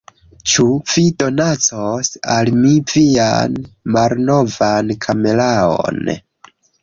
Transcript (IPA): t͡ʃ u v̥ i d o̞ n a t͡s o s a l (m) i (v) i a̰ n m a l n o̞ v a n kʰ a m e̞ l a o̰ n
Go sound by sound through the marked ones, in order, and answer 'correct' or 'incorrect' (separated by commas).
correct, correct